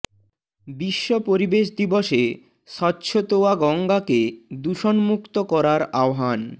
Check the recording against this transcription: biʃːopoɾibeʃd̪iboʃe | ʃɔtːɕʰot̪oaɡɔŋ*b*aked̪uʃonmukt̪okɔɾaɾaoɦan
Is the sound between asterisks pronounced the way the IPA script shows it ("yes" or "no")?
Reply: no